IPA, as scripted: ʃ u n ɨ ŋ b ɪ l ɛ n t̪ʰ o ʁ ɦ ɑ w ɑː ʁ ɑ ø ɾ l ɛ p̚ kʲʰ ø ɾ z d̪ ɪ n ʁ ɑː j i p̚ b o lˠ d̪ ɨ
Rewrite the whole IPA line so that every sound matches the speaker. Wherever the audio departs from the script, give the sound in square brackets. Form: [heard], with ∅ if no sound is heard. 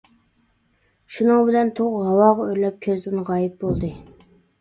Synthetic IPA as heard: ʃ u n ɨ ŋ b ɪ l ɛ n t̪ʰ o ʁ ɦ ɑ w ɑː ʁ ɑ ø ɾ l ɛ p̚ kʲʰ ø [∅] z d̪ ɪ n ʁ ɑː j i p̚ b o lˠ d̪ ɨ